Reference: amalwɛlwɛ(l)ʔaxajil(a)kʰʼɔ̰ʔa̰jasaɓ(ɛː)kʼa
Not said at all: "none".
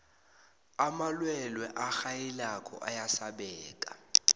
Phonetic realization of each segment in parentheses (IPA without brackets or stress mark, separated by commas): none, a, ɛː